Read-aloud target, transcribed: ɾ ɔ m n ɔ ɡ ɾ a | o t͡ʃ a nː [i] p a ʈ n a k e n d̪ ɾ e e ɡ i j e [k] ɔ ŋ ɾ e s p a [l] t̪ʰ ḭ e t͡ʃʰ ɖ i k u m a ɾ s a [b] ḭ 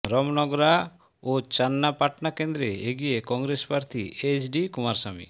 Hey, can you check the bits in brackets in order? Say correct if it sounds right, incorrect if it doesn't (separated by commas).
incorrect, correct, incorrect, incorrect